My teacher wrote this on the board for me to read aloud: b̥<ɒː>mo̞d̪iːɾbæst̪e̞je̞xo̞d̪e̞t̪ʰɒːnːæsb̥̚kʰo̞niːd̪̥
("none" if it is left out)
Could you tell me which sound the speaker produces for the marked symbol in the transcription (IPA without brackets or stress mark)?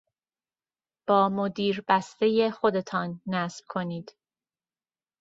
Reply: ɒː